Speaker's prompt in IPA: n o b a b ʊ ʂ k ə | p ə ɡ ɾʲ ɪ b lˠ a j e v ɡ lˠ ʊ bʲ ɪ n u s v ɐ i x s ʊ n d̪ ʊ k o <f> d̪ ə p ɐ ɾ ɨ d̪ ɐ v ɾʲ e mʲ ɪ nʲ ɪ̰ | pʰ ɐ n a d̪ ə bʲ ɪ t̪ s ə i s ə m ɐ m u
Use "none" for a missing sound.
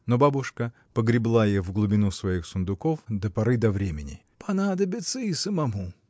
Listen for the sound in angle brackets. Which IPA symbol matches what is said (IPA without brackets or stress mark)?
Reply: f